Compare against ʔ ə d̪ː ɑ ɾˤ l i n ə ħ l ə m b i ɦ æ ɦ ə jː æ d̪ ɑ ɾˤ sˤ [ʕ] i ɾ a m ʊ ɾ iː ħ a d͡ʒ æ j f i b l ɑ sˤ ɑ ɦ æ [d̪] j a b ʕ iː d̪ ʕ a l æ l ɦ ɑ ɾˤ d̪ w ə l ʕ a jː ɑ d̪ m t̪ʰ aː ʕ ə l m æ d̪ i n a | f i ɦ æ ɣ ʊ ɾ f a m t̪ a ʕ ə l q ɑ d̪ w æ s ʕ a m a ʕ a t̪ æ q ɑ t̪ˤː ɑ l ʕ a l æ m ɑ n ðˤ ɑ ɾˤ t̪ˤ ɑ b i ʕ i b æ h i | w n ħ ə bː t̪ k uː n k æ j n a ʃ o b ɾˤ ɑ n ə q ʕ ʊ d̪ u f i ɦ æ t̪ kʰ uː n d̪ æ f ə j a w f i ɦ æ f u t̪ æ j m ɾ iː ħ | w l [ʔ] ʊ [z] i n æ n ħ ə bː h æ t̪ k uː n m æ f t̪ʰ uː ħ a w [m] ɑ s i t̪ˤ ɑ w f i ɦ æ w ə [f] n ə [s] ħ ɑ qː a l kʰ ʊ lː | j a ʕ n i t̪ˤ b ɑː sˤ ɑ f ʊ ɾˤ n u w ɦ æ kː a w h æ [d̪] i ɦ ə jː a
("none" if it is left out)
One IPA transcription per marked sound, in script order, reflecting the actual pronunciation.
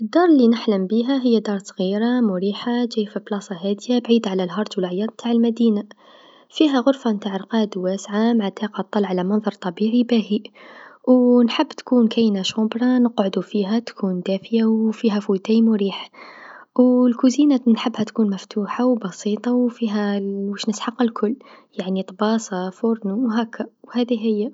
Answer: ɣ, d̪, k, z, b, ʃ, s, d̪

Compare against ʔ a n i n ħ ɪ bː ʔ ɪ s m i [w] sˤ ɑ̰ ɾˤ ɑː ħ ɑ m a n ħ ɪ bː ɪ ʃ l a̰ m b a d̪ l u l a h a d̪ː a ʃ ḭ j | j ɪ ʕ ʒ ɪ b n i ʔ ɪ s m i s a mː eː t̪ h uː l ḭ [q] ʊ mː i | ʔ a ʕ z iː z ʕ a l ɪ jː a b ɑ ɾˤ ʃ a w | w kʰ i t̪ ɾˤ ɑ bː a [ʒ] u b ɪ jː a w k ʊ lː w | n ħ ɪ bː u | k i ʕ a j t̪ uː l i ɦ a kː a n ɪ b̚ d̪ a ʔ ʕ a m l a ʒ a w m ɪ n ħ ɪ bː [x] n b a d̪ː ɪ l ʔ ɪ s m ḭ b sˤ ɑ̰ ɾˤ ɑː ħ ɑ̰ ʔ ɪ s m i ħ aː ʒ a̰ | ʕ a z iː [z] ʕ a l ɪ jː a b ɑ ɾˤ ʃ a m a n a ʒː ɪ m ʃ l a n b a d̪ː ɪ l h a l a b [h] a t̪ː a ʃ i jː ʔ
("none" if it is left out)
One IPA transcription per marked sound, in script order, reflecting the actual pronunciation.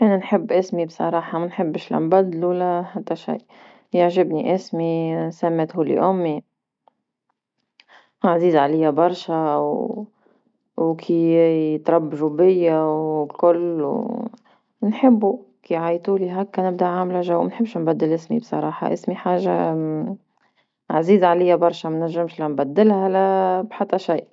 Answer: b, ʔ, ʒ, ʃ, z, ħ

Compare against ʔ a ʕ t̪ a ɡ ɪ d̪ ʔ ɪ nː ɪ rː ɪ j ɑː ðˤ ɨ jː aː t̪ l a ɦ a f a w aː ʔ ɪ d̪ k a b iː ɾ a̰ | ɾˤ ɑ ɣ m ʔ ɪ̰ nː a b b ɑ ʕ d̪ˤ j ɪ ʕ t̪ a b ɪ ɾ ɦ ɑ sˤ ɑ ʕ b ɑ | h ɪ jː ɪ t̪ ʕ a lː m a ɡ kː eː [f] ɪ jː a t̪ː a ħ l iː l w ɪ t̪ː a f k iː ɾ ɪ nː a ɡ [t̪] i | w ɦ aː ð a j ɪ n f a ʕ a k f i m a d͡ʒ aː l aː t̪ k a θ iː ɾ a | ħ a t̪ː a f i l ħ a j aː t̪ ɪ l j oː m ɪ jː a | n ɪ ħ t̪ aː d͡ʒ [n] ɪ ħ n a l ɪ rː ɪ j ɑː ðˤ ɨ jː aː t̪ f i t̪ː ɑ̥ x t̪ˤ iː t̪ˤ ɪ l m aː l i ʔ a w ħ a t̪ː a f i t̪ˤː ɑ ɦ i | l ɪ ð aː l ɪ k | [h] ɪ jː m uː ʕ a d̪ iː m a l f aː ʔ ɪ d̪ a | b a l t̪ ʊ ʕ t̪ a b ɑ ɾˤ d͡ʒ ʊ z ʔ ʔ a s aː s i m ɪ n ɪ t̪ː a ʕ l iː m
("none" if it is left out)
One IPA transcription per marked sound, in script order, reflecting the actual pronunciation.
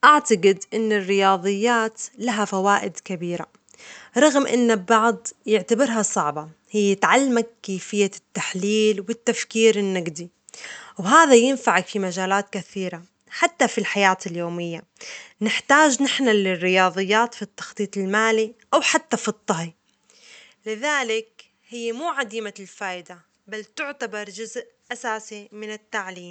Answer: f, d̪, n, h

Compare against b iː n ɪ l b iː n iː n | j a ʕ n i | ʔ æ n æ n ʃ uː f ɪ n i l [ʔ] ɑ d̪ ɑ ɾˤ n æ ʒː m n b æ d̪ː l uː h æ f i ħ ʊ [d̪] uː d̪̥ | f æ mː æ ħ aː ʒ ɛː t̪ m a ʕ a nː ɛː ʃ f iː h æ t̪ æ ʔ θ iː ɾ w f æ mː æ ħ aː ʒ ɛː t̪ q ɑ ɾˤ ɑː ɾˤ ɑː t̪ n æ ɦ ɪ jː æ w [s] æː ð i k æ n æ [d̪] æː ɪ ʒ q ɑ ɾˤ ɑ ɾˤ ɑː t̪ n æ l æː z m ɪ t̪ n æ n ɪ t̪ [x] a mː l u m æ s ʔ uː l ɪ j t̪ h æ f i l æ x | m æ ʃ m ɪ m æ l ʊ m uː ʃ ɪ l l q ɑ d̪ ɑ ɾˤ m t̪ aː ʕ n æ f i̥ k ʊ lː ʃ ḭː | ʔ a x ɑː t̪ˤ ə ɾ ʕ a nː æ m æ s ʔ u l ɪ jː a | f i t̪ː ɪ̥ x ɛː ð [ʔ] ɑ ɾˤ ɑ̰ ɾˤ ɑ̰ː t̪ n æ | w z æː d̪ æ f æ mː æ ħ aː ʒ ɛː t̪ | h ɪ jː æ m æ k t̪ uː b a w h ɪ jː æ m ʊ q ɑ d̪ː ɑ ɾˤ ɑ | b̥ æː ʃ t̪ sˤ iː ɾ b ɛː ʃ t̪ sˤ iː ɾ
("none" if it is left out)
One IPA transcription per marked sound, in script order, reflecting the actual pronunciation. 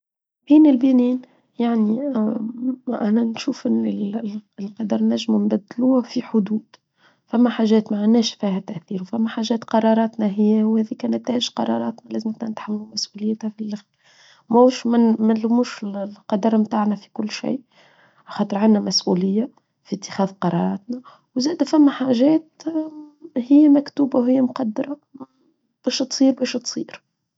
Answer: q, d̪, h, t̪, ħ, q

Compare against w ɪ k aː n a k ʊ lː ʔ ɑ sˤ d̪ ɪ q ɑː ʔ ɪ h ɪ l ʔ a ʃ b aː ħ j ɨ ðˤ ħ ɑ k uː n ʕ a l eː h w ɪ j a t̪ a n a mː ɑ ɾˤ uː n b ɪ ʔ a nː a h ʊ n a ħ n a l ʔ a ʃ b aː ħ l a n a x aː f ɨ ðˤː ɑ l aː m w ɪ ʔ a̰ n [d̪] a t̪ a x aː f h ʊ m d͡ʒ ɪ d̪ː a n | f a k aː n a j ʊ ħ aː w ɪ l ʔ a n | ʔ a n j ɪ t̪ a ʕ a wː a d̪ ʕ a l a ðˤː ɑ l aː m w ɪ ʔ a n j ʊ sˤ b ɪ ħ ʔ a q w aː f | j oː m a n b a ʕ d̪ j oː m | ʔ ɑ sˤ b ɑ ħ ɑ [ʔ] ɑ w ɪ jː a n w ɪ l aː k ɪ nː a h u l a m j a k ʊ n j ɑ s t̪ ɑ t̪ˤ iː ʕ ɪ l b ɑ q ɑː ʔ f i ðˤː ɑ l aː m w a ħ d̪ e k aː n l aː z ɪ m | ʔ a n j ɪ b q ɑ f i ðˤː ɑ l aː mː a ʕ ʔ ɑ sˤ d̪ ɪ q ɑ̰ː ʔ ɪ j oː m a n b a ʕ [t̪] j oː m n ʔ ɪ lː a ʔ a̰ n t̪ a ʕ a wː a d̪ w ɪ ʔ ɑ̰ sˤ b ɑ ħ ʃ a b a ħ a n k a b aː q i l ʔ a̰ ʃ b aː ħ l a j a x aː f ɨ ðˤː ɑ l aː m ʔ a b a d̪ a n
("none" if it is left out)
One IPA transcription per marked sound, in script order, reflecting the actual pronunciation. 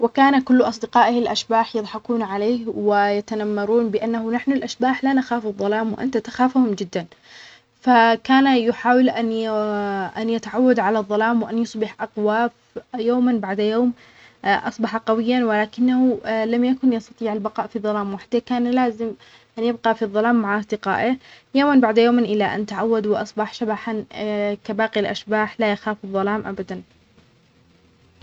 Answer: t̪, q, d̪

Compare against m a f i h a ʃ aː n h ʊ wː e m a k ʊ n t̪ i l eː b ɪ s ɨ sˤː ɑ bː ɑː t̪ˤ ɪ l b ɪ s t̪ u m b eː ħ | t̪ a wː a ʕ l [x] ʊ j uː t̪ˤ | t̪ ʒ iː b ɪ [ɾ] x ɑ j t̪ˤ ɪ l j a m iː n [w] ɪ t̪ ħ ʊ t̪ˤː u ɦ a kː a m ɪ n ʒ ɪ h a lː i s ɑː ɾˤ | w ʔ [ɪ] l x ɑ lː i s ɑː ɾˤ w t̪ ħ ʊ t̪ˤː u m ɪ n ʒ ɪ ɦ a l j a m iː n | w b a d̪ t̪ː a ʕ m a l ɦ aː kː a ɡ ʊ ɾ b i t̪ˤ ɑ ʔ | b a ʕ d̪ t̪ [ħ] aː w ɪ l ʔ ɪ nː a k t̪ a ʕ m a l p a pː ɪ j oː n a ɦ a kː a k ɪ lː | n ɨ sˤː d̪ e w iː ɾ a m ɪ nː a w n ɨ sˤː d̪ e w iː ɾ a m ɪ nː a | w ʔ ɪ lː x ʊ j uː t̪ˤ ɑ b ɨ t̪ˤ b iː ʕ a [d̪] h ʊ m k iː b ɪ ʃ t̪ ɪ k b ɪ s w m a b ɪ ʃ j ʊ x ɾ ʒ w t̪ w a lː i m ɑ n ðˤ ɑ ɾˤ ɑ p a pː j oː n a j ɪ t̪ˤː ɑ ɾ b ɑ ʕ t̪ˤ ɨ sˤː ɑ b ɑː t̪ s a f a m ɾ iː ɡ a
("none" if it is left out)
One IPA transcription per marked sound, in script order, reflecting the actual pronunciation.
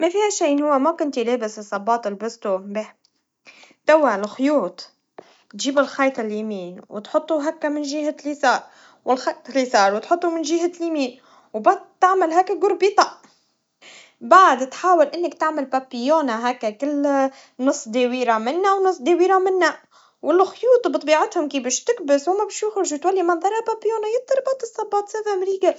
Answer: x, l, w, ɪ, ħ, t̪

